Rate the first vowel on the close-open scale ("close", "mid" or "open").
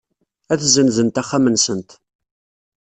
open